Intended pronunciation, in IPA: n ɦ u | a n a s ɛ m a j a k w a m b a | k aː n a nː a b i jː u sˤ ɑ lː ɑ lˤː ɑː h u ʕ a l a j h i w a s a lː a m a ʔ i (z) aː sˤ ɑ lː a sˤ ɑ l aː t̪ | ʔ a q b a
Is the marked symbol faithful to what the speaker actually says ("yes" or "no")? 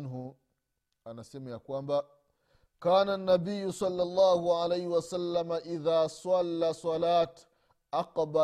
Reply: no